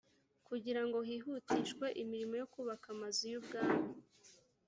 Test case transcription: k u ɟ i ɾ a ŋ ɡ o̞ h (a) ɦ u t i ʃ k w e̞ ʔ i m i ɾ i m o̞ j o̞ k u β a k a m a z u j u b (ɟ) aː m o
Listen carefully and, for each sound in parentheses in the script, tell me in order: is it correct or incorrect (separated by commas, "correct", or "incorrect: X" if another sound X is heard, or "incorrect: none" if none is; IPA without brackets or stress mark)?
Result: incorrect: i, incorrect: ɡ